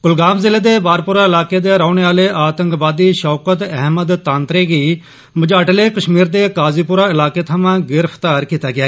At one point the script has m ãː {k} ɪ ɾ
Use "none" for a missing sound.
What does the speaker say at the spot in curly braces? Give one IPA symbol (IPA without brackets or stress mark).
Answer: ɡ